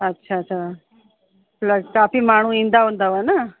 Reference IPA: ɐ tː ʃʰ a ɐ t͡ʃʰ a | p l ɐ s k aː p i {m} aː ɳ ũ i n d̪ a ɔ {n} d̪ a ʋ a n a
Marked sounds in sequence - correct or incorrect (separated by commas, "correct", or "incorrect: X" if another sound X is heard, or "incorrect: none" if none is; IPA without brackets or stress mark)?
correct, correct